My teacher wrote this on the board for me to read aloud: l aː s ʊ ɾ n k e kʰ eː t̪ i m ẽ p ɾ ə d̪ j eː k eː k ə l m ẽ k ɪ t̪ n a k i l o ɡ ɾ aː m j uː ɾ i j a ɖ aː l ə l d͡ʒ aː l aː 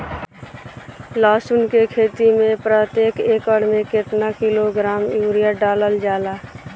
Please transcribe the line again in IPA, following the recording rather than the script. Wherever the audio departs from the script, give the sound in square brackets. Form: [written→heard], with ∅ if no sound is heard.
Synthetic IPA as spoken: l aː s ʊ [ɾ→∅] n k e kʰ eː t̪ i m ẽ p ɾ ə [d̪→t̪] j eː k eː k ə [l→ɽ] m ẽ k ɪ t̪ n a k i l o ɡ ɾ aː m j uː ɾ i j a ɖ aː l ə l d͡ʒ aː l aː